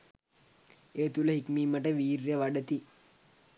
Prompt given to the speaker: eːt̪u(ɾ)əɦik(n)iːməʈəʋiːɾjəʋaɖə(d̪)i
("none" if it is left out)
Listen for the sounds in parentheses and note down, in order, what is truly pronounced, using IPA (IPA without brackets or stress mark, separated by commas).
l, m, t̪